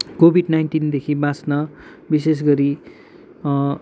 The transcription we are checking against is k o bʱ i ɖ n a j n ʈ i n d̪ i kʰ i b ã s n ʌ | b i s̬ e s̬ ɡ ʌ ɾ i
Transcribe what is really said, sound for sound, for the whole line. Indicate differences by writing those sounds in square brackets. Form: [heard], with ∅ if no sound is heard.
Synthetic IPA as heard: k o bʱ i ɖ n a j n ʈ i n d̪ [e] kʰ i b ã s n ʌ | b i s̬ e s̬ ɡ ʌ ɾ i

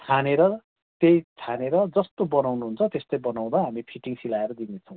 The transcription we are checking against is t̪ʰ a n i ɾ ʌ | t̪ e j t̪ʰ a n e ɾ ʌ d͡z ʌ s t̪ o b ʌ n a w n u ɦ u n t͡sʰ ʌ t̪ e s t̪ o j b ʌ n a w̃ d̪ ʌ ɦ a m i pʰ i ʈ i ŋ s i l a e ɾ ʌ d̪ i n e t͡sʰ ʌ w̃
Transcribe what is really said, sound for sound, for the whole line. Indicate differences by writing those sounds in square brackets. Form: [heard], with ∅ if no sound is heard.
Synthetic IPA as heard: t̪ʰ a n [e] ɾ ʌ | t̪ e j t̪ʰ a n e ɾ ʌ d͡z ʌ s t̪ o b ʌ n a w n u ɦ u n t͡sʰ ʌ t̪ e s t̪ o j b ʌ n a w̃ d̪ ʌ ɦ a m i pʰ i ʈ i ŋ s i l a e ɾ ʌ d̪ i n e t͡sʰ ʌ w̃

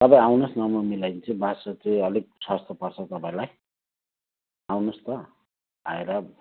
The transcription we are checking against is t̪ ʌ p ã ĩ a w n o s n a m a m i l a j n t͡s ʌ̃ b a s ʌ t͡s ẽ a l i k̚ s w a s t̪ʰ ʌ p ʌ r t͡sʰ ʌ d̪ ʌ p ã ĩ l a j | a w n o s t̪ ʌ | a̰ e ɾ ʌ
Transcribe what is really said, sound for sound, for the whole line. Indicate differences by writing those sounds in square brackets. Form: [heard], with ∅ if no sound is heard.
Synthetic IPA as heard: t̪ ʌ p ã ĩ a w n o s n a m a m i l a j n t͡s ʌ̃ b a s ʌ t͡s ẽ [ʌ] l i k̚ s w a s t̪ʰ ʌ p ʌ r t͡sʰ ʌ [t̪] ʌ p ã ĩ l a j | a w n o s t̪ ʌ | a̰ e ɾ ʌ

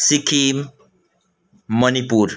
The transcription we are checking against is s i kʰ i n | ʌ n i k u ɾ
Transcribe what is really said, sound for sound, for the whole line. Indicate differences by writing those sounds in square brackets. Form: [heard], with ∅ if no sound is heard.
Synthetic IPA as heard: s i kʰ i [m] | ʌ n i [p] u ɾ

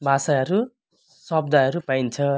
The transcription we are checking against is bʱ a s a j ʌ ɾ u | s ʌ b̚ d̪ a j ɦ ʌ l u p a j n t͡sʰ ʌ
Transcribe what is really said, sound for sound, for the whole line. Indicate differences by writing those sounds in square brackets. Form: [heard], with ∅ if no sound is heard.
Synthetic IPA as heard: bʱ a s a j ʌ ɾ u | s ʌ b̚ d̪ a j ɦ ʌ [ɾ] u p a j n t͡sʰ ʌ

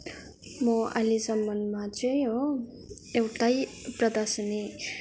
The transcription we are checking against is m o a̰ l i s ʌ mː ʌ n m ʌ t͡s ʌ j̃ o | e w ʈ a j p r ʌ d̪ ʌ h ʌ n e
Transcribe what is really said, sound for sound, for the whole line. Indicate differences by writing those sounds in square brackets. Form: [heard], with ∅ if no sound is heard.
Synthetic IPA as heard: m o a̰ l i s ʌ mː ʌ n m [a] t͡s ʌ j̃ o | e w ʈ a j p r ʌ d̪ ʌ [s] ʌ n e

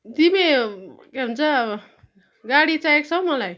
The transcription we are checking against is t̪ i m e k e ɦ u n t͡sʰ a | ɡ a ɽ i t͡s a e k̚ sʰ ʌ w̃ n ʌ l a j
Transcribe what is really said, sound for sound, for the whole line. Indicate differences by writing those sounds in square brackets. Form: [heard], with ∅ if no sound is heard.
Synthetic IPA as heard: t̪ i m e k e ɦ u n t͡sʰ a | ɡ a ɽ i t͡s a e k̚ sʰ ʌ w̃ [m] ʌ l a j

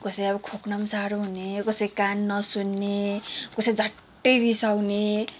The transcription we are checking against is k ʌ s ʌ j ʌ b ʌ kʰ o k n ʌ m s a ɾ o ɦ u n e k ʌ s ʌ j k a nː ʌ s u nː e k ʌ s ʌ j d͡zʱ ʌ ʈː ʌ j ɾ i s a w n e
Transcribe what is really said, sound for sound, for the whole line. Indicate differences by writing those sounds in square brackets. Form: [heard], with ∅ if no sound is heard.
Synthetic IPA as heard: k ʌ s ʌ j ʌ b ʌ kʰ o k n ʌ m s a ɾ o ɦ u n e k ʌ s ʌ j k a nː ʌ s u nː e k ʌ s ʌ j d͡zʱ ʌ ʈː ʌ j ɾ i s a w n e

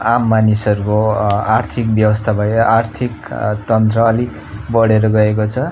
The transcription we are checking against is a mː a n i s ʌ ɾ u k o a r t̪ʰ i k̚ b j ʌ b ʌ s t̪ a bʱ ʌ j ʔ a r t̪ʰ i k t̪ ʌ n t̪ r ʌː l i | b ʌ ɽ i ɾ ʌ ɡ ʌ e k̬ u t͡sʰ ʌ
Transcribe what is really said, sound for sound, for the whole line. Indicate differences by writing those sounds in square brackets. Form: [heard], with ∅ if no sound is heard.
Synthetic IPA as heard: a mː a n i s ʌ ɾ u k o a r t̪ʰ i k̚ b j ʌ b ʌ s [t̪ʰ] a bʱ ʌ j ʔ a r t̪ʰ i k t̪ ʌ n t̪ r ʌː l i | b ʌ ɽ [e] ɾ ʌ ɡ ʌ e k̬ [o] t͡sʰ ʌ

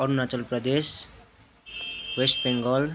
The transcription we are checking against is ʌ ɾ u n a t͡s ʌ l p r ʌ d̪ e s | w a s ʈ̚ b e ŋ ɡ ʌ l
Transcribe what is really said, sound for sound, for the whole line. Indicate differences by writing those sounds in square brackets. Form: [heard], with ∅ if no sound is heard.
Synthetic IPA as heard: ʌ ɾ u n a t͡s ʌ l p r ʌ d̪ e s | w [e] s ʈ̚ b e ŋ ɡ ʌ l

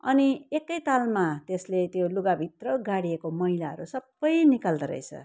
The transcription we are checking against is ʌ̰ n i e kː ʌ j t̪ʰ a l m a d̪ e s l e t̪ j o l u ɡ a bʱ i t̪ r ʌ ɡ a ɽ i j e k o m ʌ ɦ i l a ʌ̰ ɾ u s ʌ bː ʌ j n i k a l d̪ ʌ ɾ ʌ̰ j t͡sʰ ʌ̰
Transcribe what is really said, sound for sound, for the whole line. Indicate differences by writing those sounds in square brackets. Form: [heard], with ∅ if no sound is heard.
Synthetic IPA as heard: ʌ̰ n i e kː ʌ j [t̪] a l m a [t̪] e s l e t̪ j o l u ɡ a bʱ i t̪ r ʌ ɡ a ɽ i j e k o m ʌ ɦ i l a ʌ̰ ɾ u s ʌ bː ʌ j n i k a l d̪ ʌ ɾ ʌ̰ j t͡sʰ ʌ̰

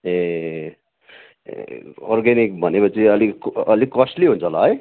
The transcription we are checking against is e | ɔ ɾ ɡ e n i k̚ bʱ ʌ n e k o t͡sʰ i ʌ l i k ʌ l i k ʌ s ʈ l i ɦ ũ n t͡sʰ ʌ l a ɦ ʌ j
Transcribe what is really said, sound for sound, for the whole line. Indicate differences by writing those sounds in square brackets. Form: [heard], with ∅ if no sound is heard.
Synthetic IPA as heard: e | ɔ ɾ ɡ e n i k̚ bʱ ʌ n e k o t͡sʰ i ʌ l i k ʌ l i k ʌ s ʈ l i ɦ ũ n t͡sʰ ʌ l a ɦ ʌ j

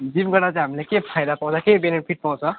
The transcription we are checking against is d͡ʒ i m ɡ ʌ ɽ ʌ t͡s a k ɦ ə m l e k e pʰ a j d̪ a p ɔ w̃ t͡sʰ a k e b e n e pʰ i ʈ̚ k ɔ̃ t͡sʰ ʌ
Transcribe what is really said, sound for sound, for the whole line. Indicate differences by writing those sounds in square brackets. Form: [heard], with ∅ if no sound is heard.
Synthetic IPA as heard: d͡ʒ i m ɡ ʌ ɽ [a] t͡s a [∅] ɦ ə m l e k e pʰ a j d̪ a p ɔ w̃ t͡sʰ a k e b e n e pʰ i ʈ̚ [p] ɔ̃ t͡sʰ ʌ

